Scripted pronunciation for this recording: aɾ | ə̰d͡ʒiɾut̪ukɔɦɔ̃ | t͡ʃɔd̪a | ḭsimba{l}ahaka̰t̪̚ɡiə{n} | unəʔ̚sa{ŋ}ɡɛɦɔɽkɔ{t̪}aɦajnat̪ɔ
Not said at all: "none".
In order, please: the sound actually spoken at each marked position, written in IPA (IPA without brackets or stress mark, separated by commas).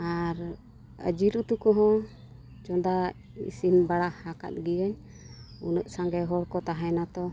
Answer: ɽ, ɲ, ŋ, t̪